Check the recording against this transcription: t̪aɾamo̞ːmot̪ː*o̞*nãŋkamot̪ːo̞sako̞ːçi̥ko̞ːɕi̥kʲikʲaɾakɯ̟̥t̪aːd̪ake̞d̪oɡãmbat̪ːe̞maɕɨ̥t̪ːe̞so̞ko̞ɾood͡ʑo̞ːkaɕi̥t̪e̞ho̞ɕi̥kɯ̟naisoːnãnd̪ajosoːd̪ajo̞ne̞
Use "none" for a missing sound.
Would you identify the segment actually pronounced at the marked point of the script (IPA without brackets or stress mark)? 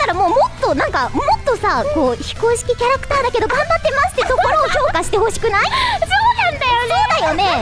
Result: o̞